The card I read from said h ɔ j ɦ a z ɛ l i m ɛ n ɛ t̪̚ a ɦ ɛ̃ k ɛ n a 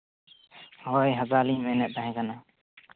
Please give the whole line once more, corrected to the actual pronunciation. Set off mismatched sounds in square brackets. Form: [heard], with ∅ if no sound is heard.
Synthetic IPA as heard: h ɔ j ɦ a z [a] l i m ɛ n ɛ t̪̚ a ɦ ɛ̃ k [a] n a